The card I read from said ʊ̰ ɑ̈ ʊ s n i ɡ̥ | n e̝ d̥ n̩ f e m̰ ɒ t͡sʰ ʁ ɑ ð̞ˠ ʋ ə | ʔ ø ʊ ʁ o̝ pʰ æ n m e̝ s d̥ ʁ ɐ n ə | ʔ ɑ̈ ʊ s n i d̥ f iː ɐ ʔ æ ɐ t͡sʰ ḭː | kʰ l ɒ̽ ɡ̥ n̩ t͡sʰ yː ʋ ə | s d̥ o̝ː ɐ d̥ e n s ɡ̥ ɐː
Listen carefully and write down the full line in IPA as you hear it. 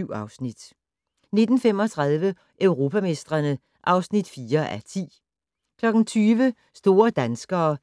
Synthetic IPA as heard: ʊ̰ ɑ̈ ʊ s n i d̥ | n e̝ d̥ n̩ f e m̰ ɒ t͡sʰ ʁ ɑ ð̞ˠ ʋ ə | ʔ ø ʊ ʁ o̝ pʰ æ m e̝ s d̥ ʁ ɐ n ə | ʔ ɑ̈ ʊ s n i d̥ f iː ɐ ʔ æ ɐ t͡sʰ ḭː | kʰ l ɒ̽ ɡ̥ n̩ t͡sʰ yː ʋ ə | s d̥ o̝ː ɐ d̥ æ n s ɡ̥ ɐː